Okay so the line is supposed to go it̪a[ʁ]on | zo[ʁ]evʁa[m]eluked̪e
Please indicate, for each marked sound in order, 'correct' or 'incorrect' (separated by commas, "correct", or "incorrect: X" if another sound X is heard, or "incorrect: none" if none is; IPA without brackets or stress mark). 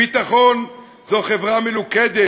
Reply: incorrect: χ, incorrect: χ, correct